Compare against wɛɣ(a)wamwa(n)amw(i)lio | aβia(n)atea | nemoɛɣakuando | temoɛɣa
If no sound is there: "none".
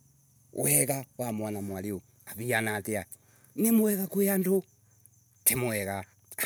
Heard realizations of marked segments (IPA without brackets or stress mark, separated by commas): a, n, a, n